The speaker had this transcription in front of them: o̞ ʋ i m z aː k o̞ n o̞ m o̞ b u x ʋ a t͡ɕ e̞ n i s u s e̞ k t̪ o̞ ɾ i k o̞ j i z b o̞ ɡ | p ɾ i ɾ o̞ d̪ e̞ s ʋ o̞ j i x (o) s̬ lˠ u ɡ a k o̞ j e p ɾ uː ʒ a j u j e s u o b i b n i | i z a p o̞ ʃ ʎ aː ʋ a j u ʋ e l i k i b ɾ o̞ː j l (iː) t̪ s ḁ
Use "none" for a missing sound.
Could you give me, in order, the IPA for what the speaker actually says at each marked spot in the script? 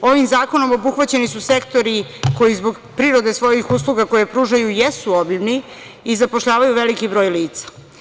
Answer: u, iː

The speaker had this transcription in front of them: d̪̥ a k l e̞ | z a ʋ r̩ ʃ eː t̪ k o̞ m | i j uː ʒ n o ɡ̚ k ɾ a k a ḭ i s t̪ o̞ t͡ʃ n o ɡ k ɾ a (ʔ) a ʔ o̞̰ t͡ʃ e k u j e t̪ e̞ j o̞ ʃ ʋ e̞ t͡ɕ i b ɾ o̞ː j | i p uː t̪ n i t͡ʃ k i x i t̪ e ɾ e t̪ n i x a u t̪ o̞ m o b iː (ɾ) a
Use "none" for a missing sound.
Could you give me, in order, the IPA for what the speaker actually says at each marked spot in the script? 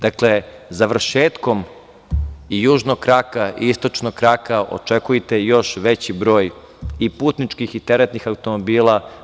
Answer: k, l

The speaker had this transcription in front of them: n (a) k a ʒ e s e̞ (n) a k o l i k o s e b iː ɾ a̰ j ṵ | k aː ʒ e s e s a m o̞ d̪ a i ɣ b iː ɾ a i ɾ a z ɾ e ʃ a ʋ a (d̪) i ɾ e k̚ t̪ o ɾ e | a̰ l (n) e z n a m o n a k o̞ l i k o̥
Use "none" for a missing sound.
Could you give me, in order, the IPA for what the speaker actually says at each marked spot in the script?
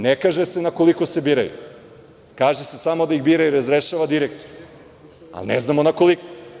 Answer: e, n, d̪, n

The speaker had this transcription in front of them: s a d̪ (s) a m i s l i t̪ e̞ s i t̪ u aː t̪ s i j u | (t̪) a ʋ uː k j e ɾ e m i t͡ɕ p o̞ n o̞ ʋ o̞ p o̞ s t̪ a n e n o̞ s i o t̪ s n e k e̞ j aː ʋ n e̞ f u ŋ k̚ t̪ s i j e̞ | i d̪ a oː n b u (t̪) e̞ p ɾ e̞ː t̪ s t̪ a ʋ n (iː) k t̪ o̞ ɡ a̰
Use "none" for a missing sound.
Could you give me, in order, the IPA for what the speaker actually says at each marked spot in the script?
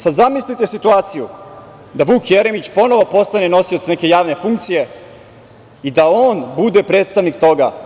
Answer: z, d̪, d̪, i

